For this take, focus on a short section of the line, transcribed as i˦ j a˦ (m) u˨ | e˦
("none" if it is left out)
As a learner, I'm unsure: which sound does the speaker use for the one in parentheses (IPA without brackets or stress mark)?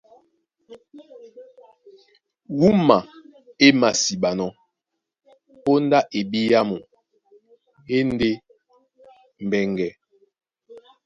m